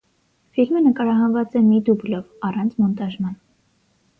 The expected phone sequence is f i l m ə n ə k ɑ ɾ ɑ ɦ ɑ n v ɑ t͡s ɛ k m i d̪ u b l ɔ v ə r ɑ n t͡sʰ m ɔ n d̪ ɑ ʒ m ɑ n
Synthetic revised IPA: f i l m ə n ə k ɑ ɾ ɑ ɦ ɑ n v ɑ t͡s ɛ m i d̪ u b l ɔ v ɑ r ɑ n t͡sʰ m ɔ n t̪ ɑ ʒ m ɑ n